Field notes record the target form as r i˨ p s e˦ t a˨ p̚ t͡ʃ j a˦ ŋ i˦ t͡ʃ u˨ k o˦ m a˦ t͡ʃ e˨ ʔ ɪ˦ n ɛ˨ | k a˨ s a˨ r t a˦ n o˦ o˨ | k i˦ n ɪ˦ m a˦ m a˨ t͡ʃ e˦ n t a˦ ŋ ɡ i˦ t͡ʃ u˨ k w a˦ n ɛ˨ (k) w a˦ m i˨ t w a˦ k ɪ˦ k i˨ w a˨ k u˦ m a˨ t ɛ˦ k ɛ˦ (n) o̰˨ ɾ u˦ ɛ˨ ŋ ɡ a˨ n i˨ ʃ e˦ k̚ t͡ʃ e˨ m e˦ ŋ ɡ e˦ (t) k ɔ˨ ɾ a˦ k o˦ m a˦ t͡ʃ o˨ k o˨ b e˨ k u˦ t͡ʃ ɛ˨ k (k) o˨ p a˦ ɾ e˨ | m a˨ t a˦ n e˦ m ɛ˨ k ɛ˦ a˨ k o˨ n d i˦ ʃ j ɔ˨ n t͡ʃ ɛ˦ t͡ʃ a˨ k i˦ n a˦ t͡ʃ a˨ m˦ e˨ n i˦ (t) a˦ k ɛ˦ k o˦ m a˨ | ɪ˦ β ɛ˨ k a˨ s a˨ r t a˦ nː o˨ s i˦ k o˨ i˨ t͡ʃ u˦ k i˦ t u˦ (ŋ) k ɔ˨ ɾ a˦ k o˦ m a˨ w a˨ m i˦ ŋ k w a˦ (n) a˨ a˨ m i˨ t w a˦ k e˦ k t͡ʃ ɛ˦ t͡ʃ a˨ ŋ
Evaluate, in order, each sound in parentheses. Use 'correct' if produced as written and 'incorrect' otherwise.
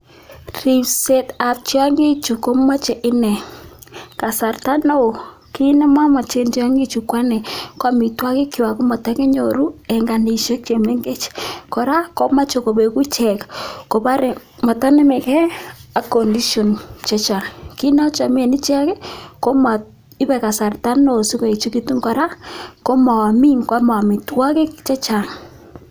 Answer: correct, incorrect, incorrect, correct, incorrect, correct, incorrect

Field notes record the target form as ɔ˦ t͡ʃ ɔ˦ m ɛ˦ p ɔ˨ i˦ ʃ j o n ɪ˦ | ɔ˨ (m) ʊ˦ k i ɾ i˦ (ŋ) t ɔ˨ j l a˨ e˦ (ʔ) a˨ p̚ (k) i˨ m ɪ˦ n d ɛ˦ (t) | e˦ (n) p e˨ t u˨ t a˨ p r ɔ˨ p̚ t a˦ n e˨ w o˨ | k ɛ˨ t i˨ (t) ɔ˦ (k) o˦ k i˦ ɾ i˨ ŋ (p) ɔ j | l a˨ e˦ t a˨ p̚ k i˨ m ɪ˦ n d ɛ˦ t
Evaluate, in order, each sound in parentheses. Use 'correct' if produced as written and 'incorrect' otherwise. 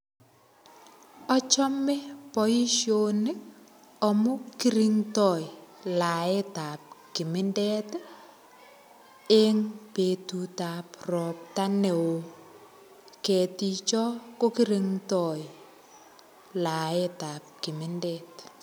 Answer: correct, correct, incorrect, correct, correct, incorrect, incorrect, correct, incorrect

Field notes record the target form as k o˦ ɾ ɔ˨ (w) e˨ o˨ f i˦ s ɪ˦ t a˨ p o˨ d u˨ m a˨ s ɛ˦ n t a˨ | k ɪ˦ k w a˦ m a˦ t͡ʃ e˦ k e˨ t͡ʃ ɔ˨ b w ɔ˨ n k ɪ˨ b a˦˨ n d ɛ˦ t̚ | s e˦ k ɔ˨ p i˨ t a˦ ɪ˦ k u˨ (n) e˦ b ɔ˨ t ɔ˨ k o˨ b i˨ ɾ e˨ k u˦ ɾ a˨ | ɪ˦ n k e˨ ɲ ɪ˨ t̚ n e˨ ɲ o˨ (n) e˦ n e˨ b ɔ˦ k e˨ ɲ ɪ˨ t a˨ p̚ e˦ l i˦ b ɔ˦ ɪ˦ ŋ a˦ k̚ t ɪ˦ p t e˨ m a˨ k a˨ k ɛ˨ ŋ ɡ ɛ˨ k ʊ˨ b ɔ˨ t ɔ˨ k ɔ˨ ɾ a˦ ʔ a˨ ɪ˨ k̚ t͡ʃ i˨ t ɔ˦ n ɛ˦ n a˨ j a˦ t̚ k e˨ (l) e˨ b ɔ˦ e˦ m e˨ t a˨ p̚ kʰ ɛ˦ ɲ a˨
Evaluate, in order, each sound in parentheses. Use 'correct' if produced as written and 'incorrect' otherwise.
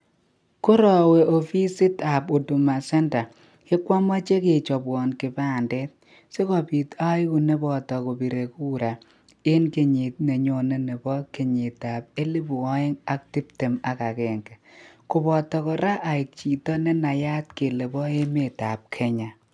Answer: correct, correct, correct, correct

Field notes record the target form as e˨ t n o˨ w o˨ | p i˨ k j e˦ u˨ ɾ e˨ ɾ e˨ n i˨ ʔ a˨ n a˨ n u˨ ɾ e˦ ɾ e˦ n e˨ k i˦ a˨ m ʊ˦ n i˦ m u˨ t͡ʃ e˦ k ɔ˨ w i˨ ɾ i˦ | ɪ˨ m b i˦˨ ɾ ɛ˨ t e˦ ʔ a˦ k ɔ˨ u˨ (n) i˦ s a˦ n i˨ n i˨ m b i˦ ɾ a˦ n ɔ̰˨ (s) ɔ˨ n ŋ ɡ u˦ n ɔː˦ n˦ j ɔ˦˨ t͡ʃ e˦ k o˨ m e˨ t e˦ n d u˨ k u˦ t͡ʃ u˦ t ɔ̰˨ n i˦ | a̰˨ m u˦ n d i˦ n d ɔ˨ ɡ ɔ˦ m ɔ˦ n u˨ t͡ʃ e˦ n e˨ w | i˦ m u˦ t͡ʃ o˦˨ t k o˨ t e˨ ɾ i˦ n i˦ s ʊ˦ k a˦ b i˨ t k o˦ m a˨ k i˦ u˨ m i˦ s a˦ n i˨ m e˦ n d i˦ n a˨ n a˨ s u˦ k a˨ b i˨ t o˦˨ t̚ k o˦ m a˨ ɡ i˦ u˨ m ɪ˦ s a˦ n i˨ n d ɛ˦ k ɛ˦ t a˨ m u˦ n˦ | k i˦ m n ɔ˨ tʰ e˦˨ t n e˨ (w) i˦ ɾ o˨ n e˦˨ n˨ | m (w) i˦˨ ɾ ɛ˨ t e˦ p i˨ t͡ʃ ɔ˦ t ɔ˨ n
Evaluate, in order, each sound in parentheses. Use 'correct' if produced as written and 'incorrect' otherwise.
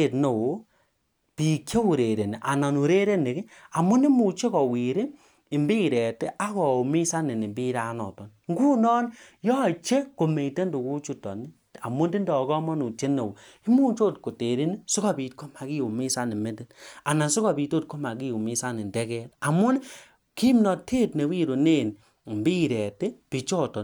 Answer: incorrect, incorrect, correct, incorrect

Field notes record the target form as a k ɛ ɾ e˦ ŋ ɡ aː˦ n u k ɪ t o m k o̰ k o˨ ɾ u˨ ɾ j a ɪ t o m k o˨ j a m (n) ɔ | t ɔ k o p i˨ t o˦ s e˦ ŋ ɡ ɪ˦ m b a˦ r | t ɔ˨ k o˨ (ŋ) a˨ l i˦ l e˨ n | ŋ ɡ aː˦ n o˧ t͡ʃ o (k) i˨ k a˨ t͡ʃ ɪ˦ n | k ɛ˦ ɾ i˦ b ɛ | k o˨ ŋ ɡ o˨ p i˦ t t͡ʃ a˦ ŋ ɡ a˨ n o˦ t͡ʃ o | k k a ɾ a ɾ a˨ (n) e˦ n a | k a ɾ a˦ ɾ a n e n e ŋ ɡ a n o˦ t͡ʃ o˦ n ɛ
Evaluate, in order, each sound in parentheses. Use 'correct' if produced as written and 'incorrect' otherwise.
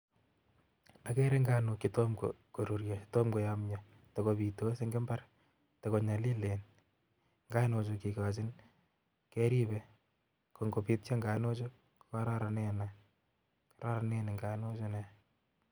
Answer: incorrect, incorrect, correct, correct

